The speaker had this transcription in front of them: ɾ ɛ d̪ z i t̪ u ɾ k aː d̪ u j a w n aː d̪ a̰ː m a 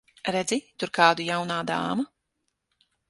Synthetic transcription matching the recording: ɾ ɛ d̪ z i t̪ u ɾ k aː d̪ u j a w n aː d̪ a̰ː m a